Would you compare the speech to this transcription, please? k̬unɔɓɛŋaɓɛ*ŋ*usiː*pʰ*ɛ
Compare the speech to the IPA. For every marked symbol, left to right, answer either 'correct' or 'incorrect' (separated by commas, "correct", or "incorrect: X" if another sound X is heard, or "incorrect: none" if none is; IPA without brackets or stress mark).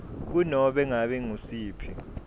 correct, correct